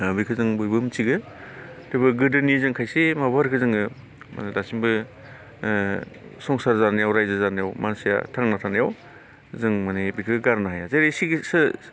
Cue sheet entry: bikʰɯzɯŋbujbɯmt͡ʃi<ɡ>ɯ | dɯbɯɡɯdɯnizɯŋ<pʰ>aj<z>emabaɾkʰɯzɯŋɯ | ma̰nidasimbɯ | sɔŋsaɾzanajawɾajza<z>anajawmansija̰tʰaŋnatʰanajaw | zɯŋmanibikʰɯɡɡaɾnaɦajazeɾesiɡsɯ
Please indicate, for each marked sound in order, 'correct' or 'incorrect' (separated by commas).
correct, incorrect, incorrect, correct